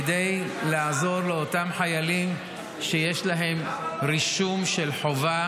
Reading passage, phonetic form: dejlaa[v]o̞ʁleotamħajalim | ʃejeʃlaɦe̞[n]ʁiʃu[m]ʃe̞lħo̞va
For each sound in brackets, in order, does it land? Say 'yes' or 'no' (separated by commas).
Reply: no, no, yes